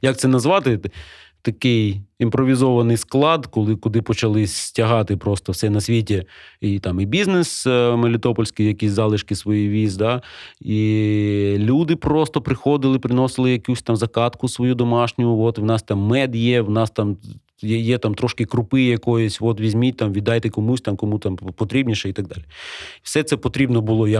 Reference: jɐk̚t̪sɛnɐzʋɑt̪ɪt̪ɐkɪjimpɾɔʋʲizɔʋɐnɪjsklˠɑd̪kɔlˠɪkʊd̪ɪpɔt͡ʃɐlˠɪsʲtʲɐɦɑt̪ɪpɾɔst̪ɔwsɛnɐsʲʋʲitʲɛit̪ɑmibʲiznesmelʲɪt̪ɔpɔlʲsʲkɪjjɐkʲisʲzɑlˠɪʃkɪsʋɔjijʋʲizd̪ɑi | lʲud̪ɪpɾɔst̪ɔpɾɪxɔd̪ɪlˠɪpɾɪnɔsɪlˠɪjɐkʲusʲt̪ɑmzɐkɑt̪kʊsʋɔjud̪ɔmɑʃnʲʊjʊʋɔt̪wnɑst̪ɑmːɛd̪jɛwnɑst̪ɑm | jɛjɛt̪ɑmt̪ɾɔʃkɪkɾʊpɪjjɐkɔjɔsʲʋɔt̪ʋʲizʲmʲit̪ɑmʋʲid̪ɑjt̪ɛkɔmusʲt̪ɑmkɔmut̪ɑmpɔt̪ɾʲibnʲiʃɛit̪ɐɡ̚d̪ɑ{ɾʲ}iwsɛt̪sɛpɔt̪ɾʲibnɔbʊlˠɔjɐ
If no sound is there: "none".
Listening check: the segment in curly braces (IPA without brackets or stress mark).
lʲ